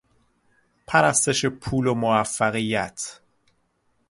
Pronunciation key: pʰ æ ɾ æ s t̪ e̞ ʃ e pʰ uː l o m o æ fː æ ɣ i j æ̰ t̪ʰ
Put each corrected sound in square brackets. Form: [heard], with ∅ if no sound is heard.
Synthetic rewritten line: pʰ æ ɾ æ s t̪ e̞ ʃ e pʰ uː l o m o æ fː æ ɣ i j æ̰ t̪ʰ